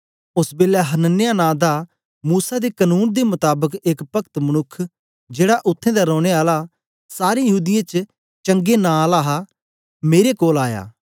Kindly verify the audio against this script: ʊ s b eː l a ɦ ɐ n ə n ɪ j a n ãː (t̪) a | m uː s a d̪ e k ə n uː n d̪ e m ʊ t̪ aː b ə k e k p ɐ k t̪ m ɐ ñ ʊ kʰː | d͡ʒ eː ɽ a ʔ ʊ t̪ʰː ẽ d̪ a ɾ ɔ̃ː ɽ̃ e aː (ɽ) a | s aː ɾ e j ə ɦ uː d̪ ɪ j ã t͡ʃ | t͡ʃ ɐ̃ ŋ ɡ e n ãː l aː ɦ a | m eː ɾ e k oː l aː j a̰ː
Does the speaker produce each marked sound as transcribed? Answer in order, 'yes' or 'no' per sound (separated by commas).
no, no